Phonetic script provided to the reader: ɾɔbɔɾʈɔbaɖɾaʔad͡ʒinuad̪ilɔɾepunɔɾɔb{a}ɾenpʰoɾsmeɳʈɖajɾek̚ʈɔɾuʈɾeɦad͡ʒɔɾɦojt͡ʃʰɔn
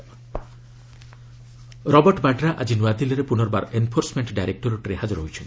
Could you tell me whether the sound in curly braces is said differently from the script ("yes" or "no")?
no